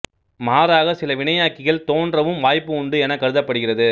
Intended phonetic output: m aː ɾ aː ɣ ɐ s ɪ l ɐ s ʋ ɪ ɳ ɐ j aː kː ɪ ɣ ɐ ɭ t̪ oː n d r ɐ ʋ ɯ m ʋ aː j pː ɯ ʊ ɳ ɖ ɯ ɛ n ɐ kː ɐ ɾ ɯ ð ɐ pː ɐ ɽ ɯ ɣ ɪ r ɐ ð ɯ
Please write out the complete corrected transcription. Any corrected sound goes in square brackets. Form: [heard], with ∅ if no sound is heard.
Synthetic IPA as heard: m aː ɾ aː ɣ ɐ s ɪ l ɐ [∅] ʋ ɪ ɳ ɐ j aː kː ɪ ɣ ɐ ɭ t̪ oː n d r ɐ ʋ ɯ m ʋ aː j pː ɯ ʊ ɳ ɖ ɯ ɛ n ɐ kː ɐ ɾ ɯ ð ɐ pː ɐ ɽ ɯ ɣ ɪ r ɐ ð ɯ